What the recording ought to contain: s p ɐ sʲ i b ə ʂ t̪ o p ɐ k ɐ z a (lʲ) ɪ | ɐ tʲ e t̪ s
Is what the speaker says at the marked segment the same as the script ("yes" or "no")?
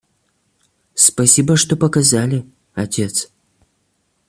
yes